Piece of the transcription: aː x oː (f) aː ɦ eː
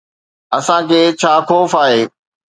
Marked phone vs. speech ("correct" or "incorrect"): correct